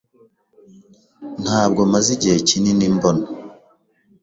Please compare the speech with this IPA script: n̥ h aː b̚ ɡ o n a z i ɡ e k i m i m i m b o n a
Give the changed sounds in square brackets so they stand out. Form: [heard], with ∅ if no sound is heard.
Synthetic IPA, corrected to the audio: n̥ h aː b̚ ɡ o [m] a z i [ɟ] e [c] i [n] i [n] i m b o n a